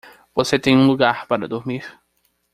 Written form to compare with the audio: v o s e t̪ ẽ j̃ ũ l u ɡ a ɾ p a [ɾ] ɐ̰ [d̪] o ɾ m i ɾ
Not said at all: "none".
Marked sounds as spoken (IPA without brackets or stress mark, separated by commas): ɾ, d̪